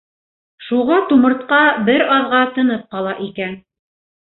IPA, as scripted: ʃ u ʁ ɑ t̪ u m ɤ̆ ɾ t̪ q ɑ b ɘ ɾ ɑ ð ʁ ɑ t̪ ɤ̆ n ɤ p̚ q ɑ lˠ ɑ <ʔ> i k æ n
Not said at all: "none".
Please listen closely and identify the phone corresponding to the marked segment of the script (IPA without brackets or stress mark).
ʔ